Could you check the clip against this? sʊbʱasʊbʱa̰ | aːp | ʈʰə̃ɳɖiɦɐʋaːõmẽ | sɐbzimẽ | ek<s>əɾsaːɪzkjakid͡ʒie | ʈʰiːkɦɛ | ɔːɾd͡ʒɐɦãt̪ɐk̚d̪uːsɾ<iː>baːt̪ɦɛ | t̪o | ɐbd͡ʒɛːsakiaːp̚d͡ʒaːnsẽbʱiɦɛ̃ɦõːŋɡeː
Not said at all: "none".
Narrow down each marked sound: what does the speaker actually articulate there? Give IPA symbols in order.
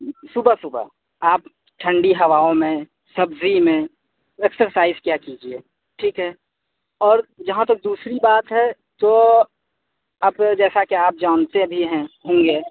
s, i

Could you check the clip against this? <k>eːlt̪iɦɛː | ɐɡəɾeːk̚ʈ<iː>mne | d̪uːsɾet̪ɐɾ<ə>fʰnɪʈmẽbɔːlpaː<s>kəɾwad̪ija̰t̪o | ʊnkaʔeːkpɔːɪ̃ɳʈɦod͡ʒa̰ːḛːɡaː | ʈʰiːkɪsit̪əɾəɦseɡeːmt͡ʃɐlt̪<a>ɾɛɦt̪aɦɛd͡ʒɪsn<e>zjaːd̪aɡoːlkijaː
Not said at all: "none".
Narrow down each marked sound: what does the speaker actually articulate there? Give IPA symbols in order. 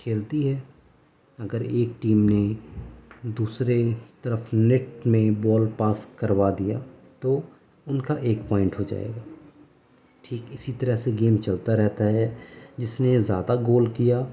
kʰ, iː, ə, s, a, e

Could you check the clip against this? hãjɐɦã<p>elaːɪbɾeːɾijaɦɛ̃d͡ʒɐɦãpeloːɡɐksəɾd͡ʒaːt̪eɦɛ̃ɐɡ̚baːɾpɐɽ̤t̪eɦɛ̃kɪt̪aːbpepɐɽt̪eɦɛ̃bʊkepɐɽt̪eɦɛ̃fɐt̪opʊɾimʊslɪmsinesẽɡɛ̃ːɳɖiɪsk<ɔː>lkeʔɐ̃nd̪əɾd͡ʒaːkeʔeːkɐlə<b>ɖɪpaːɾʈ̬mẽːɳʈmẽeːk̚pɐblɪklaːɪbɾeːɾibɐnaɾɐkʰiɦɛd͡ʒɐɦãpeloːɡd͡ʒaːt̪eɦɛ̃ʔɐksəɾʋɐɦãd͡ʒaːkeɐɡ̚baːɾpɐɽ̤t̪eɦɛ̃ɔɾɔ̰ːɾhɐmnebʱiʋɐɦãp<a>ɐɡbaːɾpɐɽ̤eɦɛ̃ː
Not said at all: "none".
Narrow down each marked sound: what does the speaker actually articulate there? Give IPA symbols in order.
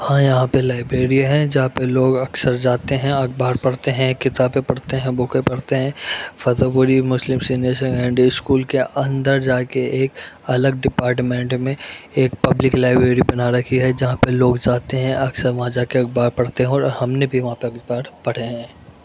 p, uː, ɡ, e

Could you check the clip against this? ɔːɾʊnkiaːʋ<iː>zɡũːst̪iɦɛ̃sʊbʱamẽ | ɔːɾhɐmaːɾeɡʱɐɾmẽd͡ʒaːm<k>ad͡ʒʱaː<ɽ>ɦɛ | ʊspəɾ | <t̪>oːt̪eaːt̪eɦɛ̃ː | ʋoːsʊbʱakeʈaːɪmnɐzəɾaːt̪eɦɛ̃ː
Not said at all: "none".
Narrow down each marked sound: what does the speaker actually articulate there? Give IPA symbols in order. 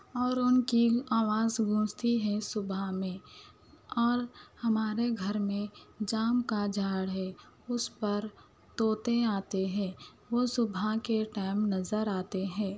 aː, k, ɽ, t̪

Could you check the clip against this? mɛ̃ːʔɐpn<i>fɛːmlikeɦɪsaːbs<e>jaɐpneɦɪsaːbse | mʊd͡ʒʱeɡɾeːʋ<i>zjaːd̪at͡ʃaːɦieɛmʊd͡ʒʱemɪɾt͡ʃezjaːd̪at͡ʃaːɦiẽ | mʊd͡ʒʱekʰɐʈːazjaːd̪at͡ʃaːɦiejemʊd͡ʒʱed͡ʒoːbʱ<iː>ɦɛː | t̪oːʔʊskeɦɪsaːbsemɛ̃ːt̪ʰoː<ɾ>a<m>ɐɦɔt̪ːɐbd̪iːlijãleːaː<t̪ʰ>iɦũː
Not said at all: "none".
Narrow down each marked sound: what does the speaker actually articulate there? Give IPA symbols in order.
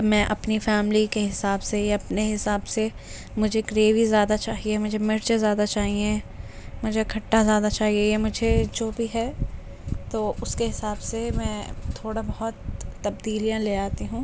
i, e, i, i, ɽ, b, t̪

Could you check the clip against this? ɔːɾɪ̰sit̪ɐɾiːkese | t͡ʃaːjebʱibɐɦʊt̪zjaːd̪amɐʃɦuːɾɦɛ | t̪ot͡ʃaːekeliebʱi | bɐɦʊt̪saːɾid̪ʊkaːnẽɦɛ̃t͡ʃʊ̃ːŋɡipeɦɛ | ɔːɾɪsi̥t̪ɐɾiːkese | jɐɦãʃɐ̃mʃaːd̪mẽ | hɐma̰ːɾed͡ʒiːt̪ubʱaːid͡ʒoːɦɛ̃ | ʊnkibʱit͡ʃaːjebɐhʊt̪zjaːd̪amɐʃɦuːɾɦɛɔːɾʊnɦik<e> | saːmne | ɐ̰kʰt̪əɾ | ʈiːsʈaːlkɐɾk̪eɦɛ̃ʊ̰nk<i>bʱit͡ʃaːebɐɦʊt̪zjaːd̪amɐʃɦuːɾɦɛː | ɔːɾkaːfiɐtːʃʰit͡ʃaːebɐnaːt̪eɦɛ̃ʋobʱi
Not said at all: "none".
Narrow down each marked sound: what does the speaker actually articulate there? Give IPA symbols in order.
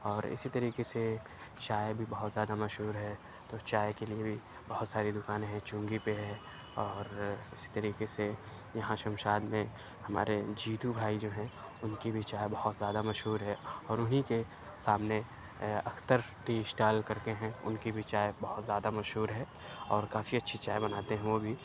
e, i

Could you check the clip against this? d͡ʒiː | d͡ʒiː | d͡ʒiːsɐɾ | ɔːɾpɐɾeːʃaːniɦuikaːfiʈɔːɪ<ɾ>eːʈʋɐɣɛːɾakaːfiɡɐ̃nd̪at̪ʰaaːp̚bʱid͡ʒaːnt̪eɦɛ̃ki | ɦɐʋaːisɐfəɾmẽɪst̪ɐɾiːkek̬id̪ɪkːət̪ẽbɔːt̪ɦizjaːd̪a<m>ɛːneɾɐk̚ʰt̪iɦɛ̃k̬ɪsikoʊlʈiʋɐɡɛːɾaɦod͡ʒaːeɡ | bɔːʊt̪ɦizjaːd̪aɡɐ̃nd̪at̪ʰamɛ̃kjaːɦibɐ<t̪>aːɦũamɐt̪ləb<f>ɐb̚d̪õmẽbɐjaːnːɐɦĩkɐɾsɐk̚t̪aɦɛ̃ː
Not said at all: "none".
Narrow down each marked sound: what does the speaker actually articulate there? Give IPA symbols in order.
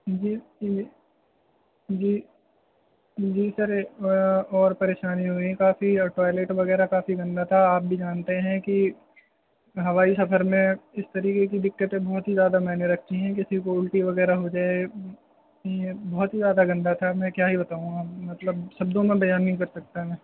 l, m, t̪, ʃ

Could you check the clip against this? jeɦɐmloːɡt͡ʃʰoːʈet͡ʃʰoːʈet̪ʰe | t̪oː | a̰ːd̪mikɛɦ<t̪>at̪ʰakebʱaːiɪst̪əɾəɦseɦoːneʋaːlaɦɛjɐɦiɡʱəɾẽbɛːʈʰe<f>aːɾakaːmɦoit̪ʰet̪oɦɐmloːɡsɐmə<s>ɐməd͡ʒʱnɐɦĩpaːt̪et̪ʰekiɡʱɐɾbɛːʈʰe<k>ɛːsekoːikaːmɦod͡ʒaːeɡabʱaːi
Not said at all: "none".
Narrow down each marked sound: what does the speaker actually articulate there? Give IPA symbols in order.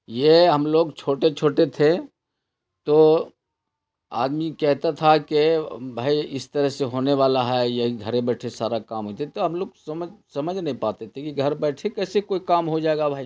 t̪, s, s, k

